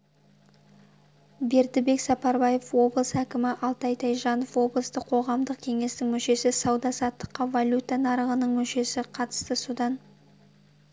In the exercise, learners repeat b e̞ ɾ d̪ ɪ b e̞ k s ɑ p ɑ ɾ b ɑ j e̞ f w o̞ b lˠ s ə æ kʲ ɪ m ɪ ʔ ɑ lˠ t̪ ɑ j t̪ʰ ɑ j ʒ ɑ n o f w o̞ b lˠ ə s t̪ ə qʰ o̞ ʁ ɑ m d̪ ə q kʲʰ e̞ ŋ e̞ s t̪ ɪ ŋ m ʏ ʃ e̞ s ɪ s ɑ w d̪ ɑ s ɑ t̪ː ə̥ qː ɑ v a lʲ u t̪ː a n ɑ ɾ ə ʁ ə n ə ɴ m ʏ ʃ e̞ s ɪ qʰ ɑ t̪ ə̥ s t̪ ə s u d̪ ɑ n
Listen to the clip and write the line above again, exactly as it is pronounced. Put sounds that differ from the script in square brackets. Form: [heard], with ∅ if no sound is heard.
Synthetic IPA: b e̞ ɾ d̪ ɪ b e̞ k s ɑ p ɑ ɾ b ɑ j e̞ f w o̞ b lˠ s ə æ kʲ ɪ m ɪ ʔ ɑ lˠ t̪ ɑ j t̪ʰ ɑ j ʒ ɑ n o f w o̞ b lˠ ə s t̪ ə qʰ o̞ ʁ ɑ m d̪ ə q kʲʰ e̞ ŋ e̞ s t̪ ɪ ŋ m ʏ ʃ e̞ s ɪ s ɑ w d̪ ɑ s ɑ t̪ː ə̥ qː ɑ v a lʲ u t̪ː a n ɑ ɾ ə ʁ ə n ə ɴ m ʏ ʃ e̞ s ɪ qʰ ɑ t̪ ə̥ s t̪ ə s u d̪ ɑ n